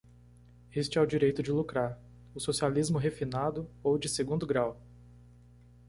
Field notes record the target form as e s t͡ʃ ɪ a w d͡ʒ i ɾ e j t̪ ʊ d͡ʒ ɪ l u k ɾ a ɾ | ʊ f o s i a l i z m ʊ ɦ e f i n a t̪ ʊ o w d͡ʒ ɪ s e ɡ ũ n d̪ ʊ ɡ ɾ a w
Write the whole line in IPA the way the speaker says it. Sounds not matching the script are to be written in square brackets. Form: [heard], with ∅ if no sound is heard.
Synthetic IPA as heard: e s t͡ʃ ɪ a w d͡ʒ i ɾ e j t̪ ʊ d͡ʒ ɪ l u k ɾ a ɾ | ʊ [s] o s i a l i z m ʊ ɦ e f i n a [d̪] ʊ o w d͡ʒ ɪ s e ɡ ũ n d̪ ʊ ɡ ɾ a w